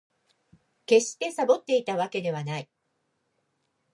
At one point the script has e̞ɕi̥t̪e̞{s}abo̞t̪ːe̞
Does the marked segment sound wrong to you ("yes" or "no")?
no